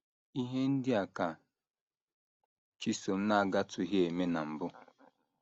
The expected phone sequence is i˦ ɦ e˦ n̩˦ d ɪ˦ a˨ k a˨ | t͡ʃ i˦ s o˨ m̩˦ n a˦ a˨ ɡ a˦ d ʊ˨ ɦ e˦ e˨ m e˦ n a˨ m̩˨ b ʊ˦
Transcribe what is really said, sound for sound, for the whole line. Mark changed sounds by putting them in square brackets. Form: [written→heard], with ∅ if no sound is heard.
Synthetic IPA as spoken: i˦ ɦ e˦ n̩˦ d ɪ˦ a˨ k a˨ | t͡ʃ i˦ s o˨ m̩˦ n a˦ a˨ ɡ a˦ [d→t] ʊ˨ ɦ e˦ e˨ m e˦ n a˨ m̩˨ b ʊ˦